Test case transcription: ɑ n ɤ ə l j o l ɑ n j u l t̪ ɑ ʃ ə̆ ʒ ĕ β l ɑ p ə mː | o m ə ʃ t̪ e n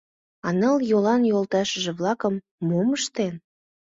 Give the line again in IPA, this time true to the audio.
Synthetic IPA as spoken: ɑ n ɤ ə l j o l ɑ n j o l t̪ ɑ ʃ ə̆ ʒ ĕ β l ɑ k ə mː | o m ə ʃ t̪ e n